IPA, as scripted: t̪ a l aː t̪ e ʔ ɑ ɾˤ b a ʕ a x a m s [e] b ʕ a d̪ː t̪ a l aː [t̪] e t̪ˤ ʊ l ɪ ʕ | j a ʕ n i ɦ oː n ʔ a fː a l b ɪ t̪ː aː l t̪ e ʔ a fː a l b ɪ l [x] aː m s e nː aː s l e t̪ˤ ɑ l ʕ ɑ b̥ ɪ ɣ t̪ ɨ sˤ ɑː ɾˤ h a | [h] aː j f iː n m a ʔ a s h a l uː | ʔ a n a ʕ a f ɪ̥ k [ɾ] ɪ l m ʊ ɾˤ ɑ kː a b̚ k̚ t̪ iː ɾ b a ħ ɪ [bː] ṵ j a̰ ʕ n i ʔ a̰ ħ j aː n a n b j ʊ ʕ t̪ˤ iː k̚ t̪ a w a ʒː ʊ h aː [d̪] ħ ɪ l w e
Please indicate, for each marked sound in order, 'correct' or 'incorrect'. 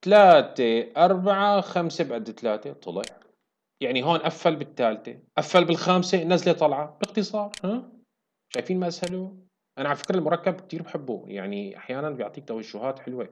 correct, correct, correct, incorrect: ʃ, correct, correct, incorrect: t̪

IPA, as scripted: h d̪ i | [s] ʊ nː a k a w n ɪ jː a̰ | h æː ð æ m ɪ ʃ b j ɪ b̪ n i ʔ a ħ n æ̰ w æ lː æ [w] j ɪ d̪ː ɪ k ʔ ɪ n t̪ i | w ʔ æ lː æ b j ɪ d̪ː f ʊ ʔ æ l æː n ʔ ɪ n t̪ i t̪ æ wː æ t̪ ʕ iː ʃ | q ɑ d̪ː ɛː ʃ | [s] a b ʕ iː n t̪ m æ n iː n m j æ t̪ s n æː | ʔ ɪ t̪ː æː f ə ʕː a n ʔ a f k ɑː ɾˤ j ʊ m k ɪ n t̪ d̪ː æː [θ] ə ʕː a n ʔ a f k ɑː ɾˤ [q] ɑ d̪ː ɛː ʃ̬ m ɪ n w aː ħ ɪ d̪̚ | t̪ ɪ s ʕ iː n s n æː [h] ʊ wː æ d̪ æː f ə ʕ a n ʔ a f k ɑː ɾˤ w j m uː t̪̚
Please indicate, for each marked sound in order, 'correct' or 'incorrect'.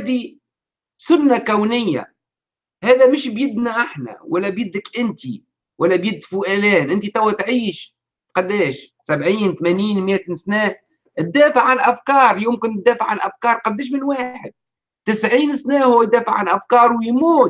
correct, incorrect: b, correct, incorrect: f, correct, correct

